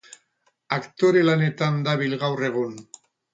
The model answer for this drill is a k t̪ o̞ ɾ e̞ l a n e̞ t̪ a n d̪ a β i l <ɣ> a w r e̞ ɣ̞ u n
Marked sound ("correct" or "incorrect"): correct